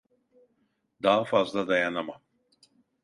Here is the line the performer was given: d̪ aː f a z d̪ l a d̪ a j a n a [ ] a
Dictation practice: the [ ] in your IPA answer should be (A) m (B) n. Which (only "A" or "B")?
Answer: A